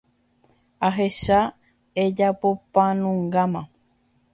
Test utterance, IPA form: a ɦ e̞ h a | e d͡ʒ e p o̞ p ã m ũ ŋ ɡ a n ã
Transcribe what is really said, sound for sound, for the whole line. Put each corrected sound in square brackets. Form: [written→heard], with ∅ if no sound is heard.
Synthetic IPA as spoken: a ɦ e̞ [h→ʃ] a | e d͡ʒ [e→a] p o̞ p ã [m→n] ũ ŋ ɡ a [n→m] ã